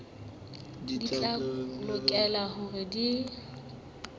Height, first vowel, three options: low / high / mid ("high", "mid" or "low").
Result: high